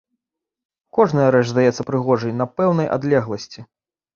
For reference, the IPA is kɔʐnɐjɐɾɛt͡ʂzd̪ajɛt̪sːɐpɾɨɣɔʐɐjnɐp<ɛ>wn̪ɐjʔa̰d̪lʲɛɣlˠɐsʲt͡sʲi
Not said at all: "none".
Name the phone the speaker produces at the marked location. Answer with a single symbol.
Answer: ɛ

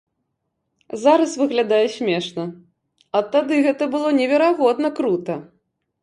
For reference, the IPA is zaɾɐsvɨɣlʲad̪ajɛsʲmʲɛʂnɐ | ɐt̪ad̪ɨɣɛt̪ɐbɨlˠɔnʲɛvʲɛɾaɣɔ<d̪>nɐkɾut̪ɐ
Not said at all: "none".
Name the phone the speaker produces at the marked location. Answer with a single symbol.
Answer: d̪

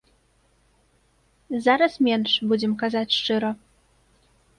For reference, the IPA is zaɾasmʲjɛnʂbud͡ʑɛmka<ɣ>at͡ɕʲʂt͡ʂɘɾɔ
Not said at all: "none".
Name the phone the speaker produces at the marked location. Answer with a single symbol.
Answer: z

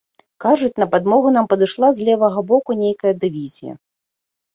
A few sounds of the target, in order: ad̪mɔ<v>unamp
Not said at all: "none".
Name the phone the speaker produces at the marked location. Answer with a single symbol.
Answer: ɣ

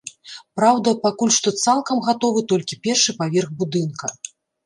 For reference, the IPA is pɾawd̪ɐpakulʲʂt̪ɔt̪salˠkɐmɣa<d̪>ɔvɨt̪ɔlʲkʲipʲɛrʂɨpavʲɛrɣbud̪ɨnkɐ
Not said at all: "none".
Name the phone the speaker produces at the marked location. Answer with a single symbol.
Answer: t̪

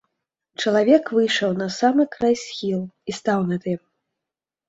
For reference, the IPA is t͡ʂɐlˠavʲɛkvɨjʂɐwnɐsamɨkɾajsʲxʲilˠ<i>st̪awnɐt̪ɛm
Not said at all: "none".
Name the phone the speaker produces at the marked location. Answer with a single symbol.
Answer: i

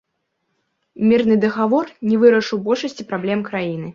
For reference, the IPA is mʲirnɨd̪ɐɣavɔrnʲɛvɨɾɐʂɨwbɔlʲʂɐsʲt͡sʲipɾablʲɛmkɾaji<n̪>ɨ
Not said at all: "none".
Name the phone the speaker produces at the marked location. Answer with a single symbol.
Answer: n̪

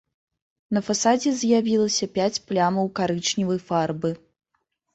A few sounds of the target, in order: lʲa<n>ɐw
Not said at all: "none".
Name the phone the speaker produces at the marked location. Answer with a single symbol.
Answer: m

